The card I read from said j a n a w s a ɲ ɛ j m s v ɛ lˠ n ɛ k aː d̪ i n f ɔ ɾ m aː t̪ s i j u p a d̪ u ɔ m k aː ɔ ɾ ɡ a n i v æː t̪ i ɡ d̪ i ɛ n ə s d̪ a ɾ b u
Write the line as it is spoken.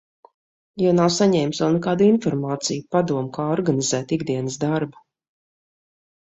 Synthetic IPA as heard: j a n a w s a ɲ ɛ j m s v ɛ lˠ n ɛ k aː d̪ i n f ɔ ɾ m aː t̪ s i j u p a d̪ u ɔ m k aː ɔ ɾ ɡ a n i z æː t̪ i ɡ d̪ i ɛ n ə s d̪ a ɾ b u